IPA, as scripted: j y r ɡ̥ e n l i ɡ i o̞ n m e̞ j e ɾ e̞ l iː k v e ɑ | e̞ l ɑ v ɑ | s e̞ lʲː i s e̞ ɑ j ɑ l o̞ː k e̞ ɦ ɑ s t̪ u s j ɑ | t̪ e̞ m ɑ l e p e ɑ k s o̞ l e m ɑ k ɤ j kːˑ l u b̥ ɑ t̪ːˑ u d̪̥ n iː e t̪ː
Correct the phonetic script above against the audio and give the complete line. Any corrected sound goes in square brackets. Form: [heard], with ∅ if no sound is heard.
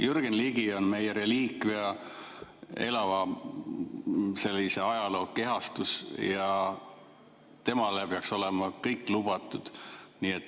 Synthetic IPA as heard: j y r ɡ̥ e n l i ɡ i o̞ n m e̞ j e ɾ e̞ l iː k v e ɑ | e̞ l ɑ v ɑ | s e̞ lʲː i s e̞ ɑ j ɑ l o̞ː k e̞ ɦ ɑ s t̪ u s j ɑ | t̪ e̞ m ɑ l e p e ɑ k s o̞ l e m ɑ k ɤ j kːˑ l u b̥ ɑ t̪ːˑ u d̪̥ n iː e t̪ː